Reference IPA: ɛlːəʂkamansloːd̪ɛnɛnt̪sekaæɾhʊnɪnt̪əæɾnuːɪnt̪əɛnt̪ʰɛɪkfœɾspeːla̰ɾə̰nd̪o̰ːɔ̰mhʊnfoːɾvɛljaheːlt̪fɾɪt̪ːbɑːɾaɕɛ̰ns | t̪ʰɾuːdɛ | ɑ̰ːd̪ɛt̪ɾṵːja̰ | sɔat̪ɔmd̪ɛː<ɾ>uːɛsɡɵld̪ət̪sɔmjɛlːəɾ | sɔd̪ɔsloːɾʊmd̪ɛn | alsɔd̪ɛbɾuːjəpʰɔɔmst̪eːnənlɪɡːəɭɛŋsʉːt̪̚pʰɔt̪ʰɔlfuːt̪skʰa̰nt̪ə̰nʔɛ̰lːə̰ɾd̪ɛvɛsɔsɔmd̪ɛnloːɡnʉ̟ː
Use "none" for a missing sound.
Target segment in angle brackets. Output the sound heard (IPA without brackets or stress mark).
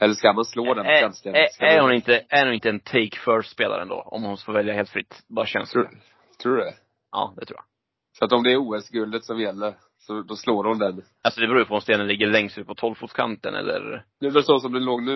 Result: ɾ